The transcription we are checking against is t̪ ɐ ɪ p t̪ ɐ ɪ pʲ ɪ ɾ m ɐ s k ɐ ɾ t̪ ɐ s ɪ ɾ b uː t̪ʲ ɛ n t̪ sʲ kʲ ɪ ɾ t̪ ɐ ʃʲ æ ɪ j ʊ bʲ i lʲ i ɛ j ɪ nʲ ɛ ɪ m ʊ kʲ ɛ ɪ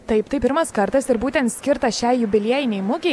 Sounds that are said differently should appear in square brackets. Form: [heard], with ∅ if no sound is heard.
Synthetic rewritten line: t̪ ɐ ɪ p t̪ ɐ ɪ pʲ ɪ ɾ m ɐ s k ɐ ɾ t̪ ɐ s ɪ ɾ b uː t̪ʲ ɛ n t̪ sʲ kʲ ɪ ɾ t̪ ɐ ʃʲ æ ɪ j ʊ bʲ [ɪ] lʲ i ɛ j ɪ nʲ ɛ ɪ m ʊ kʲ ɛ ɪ